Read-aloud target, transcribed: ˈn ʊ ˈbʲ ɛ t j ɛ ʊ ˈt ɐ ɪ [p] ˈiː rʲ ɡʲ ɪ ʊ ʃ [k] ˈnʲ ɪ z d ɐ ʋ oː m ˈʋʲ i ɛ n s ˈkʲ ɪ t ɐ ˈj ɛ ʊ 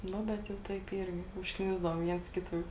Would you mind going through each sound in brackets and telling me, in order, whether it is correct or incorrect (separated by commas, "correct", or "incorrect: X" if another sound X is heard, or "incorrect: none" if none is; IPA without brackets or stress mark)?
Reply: correct, correct